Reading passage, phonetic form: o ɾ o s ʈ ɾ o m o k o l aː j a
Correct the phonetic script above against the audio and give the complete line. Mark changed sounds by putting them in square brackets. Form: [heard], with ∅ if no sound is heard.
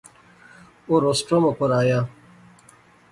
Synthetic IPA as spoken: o ɾ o s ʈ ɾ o m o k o [ɾ] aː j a